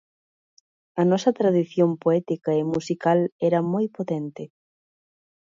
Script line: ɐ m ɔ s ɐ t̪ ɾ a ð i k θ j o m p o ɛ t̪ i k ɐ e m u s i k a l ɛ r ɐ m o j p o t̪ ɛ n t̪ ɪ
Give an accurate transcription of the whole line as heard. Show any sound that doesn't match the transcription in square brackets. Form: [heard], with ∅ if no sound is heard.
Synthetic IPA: ɐ [n] ɔ s ɐ t̪ ɾ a ð i [∅] θ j o m p o ɛ t̪ i k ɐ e m u s i k a l ɛ [ɾ] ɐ m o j p o t̪ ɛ n t̪ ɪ